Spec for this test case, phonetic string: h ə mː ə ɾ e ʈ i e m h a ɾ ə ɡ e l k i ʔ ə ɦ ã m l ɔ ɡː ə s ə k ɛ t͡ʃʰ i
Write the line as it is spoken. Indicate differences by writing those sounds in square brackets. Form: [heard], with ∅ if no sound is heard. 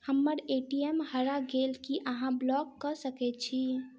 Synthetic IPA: h ə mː ə ɾ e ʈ i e m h [ə] ɾ [a] ɡ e l k i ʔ ə ɦ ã [b] l ɔ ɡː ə s ə k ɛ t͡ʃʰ i